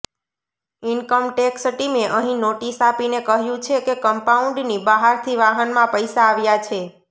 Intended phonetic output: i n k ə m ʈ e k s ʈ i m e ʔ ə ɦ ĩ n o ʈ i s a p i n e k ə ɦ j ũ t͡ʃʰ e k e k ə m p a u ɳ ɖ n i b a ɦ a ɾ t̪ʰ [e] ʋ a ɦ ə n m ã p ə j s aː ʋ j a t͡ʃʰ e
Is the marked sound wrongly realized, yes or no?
yes